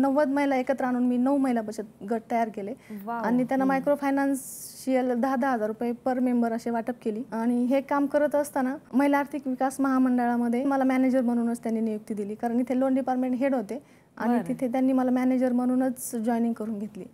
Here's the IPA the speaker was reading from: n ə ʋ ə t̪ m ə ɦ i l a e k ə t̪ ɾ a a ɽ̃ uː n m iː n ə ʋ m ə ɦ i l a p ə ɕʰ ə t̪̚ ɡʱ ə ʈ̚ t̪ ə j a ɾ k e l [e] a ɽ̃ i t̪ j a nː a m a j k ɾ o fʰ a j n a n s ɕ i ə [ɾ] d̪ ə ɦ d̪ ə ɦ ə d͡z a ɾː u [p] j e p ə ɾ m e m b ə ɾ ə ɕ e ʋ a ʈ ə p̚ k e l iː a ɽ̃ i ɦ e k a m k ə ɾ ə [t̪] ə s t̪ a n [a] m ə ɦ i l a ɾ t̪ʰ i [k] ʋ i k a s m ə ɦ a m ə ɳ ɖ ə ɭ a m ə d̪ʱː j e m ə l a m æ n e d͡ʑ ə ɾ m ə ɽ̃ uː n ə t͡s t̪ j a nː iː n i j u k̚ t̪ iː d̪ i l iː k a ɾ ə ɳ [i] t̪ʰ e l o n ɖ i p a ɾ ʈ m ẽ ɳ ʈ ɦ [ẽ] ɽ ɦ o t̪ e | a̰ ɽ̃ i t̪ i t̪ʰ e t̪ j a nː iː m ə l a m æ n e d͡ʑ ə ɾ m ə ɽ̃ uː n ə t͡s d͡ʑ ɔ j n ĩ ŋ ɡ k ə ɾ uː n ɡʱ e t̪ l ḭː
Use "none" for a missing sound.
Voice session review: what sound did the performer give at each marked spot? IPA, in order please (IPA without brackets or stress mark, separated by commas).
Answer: e, l, p, t̪, a, k, i, e